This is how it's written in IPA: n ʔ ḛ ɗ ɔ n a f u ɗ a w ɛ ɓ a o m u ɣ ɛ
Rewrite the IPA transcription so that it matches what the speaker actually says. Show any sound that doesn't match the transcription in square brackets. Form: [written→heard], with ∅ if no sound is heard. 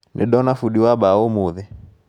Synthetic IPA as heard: n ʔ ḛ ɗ ɔ n a f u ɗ [a→i] w [ɛ→a] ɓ a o m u [ɣ→ð] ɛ